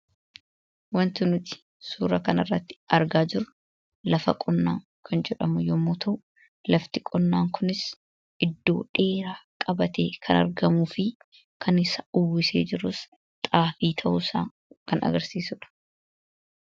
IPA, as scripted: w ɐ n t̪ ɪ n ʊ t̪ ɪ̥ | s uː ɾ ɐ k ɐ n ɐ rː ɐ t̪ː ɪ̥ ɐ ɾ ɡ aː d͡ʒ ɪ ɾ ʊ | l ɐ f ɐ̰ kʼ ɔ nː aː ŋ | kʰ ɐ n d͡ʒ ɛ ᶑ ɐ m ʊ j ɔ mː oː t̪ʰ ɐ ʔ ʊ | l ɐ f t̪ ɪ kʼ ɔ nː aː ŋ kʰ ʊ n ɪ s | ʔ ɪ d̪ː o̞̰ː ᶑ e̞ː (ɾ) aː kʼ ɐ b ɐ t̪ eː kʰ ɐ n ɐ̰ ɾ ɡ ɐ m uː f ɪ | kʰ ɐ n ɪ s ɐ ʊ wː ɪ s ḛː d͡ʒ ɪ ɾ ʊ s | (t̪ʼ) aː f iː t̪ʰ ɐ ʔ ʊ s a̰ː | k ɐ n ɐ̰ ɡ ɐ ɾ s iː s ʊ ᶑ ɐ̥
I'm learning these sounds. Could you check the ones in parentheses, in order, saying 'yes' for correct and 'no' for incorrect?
yes, yes

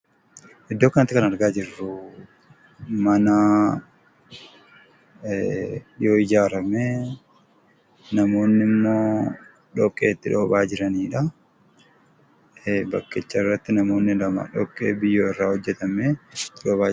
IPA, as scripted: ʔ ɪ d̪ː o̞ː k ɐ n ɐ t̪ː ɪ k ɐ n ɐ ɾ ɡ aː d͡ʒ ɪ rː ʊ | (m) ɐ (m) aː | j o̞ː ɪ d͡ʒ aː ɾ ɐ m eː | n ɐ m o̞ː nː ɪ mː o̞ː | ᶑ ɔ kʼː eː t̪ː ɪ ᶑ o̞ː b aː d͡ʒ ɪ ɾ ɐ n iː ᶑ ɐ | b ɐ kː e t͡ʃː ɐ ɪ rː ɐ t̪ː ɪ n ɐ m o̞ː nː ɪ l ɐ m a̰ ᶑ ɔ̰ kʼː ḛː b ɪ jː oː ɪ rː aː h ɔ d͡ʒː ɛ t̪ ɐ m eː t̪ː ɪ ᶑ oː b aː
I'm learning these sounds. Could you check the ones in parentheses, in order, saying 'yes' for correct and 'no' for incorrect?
yes, no

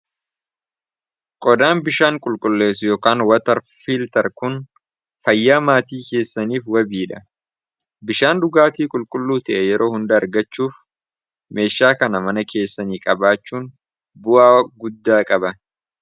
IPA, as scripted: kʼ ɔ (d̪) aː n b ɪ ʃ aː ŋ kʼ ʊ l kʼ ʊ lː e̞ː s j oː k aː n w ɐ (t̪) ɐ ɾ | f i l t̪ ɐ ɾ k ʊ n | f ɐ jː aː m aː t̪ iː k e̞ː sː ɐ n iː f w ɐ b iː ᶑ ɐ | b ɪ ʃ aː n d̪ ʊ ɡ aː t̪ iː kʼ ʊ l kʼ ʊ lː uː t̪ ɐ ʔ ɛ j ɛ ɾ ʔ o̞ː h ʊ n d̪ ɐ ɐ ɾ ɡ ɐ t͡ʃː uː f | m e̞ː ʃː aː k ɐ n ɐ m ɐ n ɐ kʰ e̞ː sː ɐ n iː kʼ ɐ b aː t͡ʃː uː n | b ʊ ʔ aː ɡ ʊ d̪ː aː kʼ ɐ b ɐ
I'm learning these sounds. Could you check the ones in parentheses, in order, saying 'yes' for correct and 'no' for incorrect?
yes, yes

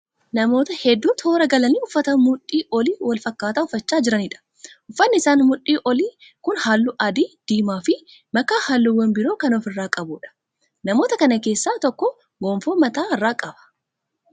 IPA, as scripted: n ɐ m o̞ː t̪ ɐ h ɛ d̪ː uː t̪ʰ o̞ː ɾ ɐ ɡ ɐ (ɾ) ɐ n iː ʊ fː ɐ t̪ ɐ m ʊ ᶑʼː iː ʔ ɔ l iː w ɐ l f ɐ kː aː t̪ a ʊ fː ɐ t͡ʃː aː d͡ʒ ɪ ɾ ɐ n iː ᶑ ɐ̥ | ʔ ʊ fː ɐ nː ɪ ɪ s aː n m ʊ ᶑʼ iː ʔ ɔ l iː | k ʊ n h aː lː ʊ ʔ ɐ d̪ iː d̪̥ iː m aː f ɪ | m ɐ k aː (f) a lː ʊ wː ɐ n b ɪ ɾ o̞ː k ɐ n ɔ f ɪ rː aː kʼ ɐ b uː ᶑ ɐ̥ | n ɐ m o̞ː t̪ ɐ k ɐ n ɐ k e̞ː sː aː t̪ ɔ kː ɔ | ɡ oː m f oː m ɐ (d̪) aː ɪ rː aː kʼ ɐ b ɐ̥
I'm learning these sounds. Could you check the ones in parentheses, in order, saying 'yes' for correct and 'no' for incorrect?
no, no, no

